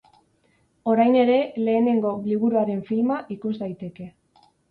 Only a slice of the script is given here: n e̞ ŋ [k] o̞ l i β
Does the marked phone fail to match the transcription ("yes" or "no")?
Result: yes